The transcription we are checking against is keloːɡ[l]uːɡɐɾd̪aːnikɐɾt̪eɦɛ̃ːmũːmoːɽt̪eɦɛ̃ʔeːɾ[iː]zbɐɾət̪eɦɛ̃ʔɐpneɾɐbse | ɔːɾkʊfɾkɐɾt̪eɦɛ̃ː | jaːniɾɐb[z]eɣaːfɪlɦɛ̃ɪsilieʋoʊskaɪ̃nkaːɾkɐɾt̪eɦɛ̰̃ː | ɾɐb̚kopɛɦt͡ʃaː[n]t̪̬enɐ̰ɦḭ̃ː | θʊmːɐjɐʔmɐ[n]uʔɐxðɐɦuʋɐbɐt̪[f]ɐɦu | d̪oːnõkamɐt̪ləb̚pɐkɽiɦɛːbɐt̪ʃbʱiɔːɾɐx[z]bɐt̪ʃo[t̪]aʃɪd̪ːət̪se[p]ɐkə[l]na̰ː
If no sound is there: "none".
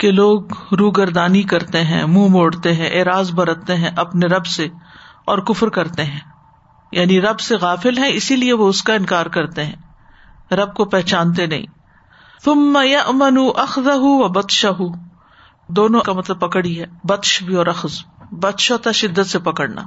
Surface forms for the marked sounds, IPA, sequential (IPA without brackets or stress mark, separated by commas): ɾ, aː, s, n, n, ʃ, z, t̪, p, ɽ